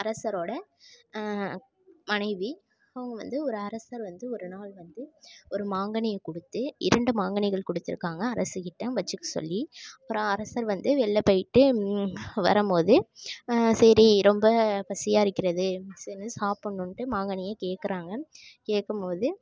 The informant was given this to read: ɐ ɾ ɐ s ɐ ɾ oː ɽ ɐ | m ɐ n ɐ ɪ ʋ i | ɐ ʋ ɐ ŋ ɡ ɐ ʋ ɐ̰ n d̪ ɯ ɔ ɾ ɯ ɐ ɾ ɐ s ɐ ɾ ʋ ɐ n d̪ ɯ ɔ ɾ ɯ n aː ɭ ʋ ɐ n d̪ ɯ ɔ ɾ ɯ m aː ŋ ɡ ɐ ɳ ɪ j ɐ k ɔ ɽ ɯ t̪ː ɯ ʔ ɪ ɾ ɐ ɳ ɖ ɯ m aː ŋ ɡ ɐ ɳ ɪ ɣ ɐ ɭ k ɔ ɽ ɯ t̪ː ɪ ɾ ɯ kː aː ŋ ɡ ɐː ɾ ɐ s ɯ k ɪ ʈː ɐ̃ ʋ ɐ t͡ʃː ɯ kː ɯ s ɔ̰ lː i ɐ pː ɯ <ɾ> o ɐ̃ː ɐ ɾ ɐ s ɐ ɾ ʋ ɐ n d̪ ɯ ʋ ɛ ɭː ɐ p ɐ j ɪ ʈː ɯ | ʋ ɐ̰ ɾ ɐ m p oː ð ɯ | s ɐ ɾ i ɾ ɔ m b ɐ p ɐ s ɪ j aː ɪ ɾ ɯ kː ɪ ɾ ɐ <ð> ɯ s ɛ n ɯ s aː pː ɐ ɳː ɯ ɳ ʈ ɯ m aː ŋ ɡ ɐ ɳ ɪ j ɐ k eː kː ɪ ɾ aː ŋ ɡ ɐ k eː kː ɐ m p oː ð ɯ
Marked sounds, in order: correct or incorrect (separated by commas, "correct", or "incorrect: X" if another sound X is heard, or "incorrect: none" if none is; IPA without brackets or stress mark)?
correct, correct